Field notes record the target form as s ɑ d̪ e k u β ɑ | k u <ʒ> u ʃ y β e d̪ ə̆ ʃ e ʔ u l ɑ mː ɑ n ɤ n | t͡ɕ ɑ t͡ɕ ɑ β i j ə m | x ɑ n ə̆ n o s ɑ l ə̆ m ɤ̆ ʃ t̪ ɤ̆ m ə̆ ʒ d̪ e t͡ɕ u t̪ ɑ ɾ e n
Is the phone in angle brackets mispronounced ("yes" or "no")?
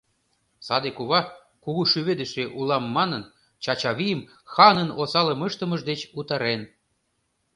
yes